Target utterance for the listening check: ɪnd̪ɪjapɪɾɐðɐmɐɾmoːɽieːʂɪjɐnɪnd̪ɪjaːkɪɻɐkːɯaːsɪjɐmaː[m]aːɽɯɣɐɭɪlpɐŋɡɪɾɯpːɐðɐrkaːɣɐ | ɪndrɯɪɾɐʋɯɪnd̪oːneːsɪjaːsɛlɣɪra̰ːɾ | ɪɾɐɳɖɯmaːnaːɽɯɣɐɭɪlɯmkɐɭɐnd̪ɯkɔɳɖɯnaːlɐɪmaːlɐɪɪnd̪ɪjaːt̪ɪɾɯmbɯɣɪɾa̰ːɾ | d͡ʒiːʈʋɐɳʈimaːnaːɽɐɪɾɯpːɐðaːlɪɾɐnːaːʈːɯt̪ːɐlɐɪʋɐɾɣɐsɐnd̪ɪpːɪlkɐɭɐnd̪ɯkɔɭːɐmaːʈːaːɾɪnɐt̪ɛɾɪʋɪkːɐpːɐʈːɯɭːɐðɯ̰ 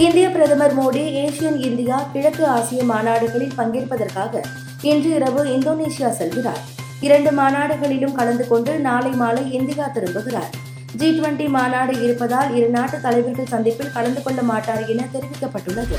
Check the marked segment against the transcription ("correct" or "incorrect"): incorrect